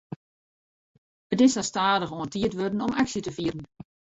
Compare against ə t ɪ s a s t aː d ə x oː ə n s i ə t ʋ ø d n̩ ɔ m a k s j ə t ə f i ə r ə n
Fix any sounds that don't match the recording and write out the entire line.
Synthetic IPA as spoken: ə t ɪ s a s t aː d ə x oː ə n t i ə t ʋ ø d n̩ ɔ m a k s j ə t ə f i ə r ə n